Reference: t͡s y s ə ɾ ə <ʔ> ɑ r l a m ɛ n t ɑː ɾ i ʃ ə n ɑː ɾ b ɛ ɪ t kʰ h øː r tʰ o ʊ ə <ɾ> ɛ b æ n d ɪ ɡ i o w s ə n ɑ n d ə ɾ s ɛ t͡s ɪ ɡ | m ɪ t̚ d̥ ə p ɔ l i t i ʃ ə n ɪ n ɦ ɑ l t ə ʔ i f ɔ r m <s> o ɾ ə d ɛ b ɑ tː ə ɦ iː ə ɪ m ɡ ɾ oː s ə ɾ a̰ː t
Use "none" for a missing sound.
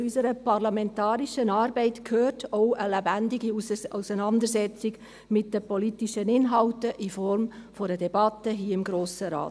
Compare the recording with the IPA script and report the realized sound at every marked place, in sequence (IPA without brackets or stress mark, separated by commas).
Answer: p, l, f